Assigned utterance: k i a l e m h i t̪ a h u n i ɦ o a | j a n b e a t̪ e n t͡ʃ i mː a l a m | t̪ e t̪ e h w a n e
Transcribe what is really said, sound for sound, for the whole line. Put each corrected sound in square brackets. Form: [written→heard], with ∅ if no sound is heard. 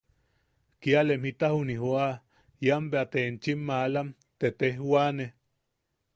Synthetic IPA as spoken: k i a l e m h i t̪ a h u n i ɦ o a | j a [n→m] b e a t̪ e n t͡ʃ i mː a l a m | t̪ e t̪ e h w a n e